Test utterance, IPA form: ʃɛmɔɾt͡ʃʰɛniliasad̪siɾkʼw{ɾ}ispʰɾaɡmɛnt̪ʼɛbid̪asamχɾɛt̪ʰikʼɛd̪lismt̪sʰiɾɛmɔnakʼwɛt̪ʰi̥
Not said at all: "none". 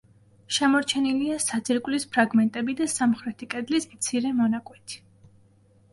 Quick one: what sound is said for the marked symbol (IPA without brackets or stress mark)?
l